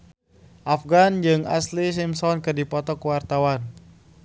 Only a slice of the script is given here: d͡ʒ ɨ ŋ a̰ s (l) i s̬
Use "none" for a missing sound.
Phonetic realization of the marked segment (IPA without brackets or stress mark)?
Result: l